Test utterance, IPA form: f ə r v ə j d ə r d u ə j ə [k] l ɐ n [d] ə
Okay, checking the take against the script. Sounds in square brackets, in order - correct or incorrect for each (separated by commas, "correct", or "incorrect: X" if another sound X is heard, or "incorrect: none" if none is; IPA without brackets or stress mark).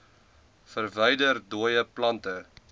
incorrect: p, incorrect: t